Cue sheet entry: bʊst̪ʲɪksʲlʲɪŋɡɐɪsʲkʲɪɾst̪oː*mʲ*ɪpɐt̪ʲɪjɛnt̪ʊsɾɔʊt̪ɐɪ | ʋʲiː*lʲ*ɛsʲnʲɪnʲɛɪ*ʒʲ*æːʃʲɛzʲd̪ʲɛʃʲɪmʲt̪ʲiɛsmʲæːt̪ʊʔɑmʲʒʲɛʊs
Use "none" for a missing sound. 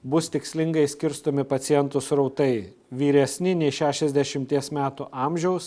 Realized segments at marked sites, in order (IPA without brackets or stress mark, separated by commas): mʲ, ɾʲ, ʃʲ